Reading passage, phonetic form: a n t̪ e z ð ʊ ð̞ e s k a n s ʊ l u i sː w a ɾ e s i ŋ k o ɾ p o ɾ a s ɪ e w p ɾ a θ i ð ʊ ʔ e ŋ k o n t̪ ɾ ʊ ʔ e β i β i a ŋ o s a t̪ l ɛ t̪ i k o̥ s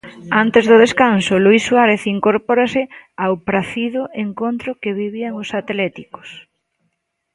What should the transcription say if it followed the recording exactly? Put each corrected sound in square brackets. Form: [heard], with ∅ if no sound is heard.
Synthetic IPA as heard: a n t̪ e z ð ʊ ð̞ e s k a n s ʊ l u i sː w a ɾ e [θ] i ŋ k o ɾ p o ɾ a s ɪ [a] w p ɾ a θ i ð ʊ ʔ e ŋ k o n t̪ ɾ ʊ [k] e β i β i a ŋ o s a t̪ l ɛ t̪ i k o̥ s